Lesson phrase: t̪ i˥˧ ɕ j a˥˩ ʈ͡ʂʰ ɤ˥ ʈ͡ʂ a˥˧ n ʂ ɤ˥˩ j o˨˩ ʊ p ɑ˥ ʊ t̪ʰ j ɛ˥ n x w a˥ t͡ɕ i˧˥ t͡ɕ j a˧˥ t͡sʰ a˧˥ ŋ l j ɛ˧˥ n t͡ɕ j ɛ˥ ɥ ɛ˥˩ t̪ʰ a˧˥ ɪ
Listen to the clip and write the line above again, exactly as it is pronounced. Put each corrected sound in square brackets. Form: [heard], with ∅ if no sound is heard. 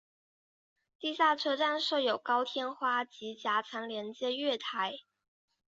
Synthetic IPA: t̪ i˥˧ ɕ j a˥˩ ʈ͡ʂʰ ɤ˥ ʈ͡ʂ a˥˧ n ʂ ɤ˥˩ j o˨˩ ʊ [k] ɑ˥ ʊ t̪ʰ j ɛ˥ n x w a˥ t͡ɕ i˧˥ t͡ɕ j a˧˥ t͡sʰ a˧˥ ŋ l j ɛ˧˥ n t͡ɕ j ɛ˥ ɥ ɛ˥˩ t̪ʰ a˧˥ ɪ